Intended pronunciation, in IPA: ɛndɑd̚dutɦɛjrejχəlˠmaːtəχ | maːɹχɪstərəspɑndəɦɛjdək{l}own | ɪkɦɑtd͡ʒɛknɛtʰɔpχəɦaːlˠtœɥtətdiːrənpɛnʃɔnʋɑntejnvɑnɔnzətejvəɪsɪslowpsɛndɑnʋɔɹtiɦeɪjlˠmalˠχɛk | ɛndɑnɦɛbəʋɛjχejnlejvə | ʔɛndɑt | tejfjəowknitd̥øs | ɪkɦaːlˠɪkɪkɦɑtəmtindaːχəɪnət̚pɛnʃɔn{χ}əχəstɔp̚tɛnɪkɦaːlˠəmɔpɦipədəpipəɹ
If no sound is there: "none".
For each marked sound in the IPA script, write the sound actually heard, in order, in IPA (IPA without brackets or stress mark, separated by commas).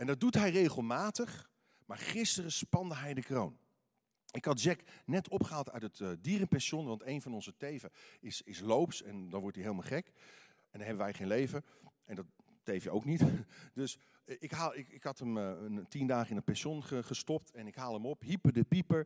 r, χ